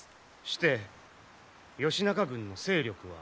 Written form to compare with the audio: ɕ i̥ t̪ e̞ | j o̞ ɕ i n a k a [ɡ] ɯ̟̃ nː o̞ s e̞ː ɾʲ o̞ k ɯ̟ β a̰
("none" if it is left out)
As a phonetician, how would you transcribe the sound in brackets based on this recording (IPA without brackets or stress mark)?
ɡ